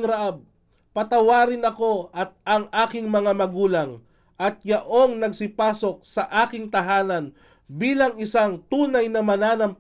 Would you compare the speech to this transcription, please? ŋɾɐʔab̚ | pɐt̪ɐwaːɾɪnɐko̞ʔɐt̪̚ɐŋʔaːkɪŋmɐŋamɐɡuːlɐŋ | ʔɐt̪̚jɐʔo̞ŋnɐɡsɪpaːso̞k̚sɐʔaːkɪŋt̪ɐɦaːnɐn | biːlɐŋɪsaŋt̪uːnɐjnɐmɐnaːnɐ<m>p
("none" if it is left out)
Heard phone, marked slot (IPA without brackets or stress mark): m